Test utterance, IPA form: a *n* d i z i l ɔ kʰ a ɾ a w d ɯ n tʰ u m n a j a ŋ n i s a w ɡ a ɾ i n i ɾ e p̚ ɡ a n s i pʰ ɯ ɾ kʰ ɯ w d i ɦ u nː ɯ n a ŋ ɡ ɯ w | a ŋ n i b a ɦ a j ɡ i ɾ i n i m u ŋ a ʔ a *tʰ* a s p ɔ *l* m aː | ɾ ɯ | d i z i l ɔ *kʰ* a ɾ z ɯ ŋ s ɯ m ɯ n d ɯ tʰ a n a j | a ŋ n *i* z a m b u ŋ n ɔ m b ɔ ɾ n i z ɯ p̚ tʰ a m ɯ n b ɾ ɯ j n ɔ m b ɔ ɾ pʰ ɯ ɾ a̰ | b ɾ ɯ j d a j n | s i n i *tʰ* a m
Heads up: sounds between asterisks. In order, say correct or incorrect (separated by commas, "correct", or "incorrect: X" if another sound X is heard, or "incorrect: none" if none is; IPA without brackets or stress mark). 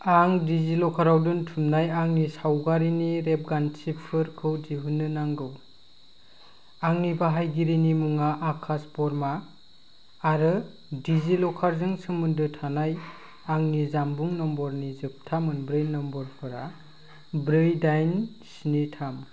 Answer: incorrect: ŋ, incorrect: kʰ, incorrect: ɾ, correct, correct, correct